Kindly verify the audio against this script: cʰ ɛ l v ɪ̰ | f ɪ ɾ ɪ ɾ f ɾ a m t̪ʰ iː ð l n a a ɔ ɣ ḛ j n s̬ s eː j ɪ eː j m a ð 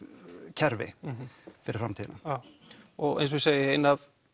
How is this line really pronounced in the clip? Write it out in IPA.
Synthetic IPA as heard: cʰ ɛ ɾ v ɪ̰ | f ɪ ɾ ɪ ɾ f ɾ a m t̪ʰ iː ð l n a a ɔ ɣ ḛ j n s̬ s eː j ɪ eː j n a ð